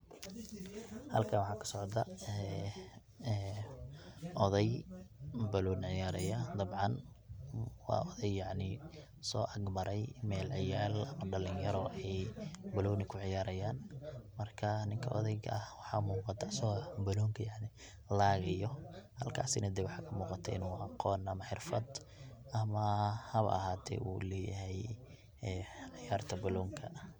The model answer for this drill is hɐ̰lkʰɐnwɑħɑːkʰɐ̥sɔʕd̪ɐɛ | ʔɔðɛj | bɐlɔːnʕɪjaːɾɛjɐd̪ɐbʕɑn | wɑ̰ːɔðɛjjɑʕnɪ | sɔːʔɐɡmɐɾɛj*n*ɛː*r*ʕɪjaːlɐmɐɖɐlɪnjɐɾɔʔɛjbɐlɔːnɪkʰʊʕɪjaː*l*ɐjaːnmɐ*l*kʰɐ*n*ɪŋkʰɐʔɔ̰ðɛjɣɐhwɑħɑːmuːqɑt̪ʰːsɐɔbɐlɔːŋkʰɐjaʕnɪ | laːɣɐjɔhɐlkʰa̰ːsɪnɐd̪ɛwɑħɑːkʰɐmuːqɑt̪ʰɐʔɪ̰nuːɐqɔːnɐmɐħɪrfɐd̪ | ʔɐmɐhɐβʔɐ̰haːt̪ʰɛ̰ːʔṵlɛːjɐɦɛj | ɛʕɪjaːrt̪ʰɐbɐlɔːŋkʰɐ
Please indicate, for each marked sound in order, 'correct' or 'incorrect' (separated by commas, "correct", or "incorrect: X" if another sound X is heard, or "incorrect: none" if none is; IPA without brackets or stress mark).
incorrect: m, incorrect: l, incorrect: ɾ, incorrect: r, correct